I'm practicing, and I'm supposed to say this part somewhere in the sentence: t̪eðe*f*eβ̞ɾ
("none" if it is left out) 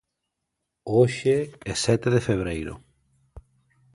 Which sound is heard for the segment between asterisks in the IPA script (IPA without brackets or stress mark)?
f